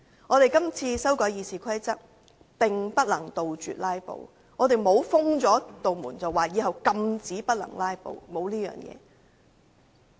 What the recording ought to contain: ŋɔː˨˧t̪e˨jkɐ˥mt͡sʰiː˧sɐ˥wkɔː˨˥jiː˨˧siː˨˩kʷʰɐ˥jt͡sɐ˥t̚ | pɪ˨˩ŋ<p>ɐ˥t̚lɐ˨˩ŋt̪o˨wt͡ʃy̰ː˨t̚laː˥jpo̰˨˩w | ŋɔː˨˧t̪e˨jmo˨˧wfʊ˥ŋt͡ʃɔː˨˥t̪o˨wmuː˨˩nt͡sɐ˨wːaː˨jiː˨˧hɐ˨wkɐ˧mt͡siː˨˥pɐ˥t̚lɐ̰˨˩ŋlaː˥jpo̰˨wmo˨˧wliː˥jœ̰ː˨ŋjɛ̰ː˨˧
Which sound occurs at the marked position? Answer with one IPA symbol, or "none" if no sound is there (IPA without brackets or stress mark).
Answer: p